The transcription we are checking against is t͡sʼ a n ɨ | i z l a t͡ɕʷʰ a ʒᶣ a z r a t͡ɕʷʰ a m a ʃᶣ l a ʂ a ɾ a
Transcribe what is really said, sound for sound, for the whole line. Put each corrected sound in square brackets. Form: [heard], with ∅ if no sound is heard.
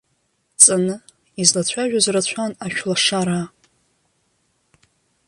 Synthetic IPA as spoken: t͡sʼ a n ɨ | i z l a t͡ɕʷʰ a ʒᶣ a z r a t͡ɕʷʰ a [n] a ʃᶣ l a ʂ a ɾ a